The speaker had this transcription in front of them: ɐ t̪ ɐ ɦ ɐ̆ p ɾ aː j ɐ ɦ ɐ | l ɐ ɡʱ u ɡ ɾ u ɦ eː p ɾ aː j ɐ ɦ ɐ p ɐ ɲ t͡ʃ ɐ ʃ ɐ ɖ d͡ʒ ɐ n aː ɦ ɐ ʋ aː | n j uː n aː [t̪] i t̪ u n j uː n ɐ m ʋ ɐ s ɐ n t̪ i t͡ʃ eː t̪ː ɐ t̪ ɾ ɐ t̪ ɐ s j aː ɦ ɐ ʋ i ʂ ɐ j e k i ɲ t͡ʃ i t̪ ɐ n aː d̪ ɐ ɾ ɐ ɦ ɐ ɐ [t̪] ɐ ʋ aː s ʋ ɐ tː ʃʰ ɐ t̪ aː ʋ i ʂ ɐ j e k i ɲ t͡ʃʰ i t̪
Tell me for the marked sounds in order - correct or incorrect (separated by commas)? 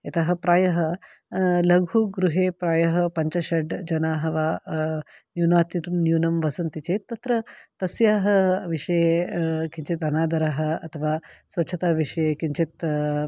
correct, incorrect